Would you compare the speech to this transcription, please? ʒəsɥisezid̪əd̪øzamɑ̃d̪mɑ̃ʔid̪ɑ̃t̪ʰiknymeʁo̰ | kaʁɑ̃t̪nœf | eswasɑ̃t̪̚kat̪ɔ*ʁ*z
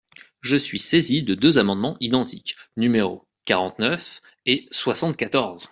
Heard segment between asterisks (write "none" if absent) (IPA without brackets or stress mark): ʁ